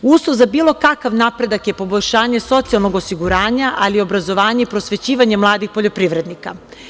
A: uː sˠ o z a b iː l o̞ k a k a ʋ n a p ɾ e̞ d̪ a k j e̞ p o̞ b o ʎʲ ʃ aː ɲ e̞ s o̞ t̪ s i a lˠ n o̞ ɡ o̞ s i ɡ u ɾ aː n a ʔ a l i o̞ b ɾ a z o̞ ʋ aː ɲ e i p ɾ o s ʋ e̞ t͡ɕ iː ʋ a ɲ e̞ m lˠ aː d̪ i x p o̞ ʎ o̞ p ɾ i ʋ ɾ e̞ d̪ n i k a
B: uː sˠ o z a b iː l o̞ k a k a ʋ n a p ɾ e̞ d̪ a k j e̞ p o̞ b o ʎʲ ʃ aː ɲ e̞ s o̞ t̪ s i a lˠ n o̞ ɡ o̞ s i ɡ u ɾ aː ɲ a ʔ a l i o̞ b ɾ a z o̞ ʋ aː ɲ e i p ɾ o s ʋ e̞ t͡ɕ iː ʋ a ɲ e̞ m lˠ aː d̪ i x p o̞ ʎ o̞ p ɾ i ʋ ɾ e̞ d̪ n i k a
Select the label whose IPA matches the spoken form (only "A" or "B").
B